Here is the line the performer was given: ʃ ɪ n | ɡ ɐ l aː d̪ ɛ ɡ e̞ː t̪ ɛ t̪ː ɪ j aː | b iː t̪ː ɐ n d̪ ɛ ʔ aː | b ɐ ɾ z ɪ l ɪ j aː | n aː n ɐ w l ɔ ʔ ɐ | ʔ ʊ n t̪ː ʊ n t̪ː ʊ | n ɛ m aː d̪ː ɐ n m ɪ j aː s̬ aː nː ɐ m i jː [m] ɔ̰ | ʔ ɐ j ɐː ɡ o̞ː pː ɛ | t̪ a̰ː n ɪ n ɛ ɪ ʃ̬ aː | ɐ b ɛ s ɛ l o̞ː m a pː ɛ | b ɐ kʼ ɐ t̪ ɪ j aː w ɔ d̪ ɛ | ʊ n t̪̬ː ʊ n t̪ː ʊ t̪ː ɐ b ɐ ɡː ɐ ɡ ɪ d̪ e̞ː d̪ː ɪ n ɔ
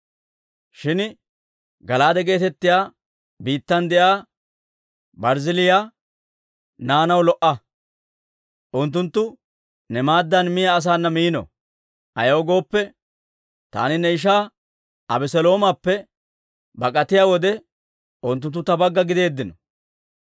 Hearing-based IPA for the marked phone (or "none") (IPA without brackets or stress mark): n